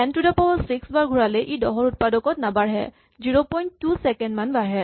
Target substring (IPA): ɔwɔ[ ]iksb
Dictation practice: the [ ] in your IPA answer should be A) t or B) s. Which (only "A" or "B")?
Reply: B